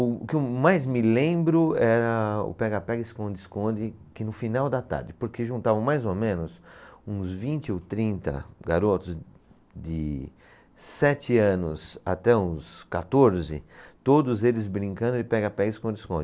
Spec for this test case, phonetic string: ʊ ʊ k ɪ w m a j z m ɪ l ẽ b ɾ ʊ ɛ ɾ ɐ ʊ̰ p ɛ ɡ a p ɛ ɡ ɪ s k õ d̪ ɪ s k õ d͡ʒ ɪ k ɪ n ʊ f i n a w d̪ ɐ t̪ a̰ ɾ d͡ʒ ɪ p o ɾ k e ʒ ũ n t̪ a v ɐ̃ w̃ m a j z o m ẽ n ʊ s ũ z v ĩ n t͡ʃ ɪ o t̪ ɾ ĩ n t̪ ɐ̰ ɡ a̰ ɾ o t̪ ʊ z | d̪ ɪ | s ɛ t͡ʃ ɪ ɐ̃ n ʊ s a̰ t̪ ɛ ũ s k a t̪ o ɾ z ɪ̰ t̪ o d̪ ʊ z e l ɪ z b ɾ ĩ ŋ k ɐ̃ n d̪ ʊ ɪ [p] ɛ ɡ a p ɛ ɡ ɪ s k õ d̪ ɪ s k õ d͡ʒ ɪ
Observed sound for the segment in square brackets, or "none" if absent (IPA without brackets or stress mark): p